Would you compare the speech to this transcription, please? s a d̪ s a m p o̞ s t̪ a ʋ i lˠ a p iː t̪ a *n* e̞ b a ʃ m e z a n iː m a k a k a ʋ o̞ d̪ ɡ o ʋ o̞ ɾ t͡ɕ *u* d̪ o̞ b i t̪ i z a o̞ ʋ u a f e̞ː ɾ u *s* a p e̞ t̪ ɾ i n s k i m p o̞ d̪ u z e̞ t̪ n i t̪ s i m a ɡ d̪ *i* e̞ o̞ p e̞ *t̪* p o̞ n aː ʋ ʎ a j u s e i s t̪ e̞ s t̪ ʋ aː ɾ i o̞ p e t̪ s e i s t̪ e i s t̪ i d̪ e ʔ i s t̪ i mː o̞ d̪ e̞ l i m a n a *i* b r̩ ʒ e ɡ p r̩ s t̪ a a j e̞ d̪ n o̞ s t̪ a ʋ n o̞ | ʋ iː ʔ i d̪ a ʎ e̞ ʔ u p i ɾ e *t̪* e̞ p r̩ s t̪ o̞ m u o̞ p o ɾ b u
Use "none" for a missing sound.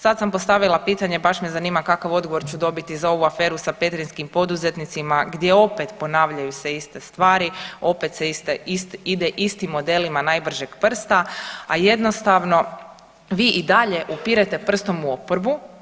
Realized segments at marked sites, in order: ɲ, u, s, j, t̪, j, t̪

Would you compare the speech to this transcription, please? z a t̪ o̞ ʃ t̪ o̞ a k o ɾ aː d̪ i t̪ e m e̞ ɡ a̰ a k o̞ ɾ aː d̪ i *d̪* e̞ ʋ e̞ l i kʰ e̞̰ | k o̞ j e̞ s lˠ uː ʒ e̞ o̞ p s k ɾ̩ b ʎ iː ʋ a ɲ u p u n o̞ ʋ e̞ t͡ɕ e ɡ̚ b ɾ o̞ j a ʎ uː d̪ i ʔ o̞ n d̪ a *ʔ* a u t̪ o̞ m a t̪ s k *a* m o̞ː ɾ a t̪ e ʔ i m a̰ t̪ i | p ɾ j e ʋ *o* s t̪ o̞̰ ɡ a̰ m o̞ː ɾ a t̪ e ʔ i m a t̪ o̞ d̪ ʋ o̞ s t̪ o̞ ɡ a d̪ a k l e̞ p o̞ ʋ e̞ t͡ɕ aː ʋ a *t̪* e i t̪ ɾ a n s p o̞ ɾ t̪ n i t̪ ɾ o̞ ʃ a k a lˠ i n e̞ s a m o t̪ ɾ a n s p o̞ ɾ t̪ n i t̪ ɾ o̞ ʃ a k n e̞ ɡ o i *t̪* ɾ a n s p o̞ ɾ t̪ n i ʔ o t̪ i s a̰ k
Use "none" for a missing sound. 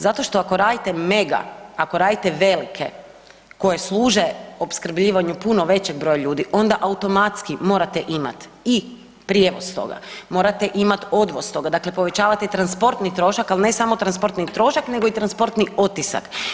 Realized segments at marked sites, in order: t̪, ʔ, i, o, t̪, t̪

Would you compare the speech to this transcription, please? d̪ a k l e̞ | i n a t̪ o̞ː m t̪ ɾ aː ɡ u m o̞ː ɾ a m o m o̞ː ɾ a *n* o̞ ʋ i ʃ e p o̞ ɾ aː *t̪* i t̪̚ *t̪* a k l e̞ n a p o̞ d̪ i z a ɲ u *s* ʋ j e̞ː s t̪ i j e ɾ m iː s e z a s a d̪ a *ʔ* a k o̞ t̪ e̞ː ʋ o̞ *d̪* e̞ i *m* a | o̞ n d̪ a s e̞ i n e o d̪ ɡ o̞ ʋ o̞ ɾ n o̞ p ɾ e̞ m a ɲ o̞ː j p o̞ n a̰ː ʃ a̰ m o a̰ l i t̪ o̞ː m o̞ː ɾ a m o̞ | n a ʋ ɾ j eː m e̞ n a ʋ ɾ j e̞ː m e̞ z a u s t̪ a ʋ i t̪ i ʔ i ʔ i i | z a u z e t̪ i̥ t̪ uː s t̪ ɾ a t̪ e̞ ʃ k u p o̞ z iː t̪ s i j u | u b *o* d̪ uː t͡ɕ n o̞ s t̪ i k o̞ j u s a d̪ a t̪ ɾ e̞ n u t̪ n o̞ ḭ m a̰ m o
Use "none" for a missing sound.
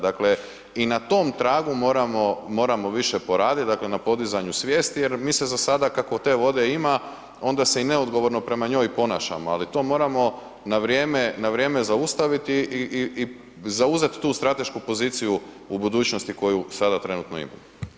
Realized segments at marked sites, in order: m, d̪, d̪, s, k, d̪, m, u

